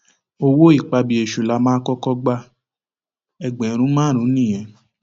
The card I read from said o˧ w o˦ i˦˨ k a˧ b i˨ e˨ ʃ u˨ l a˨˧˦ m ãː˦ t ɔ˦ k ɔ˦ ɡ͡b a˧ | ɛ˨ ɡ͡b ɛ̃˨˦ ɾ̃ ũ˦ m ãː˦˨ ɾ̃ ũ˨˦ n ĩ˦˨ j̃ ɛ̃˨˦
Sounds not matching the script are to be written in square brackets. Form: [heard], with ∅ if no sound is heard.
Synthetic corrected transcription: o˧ w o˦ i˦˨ [k͡p] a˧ b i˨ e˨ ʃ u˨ l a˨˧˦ m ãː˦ [k] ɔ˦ k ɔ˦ ɡ͡b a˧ | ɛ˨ ɡ͡b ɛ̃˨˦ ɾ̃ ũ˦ m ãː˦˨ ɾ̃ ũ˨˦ n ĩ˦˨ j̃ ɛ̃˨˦